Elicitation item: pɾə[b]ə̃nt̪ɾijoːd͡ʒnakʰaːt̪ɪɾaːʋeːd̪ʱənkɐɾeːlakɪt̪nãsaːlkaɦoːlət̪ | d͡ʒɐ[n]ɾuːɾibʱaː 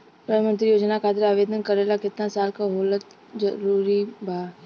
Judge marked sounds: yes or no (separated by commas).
no, no